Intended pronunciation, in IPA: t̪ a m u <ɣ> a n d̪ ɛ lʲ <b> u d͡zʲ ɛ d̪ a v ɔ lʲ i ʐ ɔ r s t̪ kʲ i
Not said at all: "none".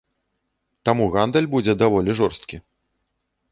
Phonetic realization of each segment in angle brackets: ɣ, b

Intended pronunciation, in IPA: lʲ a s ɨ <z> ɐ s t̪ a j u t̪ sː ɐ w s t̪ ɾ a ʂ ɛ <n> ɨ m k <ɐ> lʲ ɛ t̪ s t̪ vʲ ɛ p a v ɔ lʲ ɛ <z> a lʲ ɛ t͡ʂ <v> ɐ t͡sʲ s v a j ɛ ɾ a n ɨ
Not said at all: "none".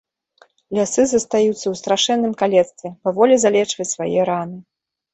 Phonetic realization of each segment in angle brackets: z, nː, a, z, v

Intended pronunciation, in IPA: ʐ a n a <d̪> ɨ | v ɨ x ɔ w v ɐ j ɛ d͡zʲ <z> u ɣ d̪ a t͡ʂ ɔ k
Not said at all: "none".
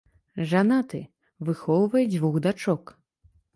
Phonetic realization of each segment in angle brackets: t̪, v

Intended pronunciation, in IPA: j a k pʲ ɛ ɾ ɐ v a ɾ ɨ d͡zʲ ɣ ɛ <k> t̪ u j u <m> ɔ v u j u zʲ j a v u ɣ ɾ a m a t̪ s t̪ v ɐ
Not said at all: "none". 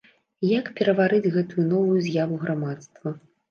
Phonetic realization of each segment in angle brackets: none, n

